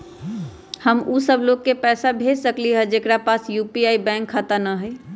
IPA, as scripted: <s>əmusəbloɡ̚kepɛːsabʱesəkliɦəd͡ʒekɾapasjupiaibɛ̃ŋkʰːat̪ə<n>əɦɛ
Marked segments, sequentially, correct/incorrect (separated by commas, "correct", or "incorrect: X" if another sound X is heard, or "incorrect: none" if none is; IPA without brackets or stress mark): incorrect: h, correct